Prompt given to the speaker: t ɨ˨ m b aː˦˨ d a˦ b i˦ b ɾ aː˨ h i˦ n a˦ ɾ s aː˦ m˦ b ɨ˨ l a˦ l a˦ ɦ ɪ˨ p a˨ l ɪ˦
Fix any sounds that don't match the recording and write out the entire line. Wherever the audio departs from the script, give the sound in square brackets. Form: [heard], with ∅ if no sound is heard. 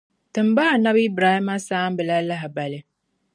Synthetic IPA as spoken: t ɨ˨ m b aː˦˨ [n] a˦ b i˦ b ɾ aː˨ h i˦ [m] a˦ [∅] s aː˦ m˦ b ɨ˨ l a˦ l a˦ ɦ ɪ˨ [b] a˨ l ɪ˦